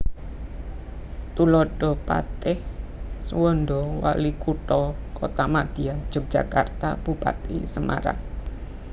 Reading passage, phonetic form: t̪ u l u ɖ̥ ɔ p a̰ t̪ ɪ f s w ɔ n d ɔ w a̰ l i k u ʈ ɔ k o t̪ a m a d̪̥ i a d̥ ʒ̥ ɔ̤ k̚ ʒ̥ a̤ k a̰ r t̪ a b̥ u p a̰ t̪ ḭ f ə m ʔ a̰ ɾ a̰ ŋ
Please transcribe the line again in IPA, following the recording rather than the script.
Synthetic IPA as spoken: t̪ u l ɔ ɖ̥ ɔ p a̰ t̪ ɪ h s w ɔ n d ɔ w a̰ l i k u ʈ ɔ k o t̪ a m a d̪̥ i a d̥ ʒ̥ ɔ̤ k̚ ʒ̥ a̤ k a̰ r t̪ a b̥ u p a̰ t̪ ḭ s ə m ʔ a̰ ɾ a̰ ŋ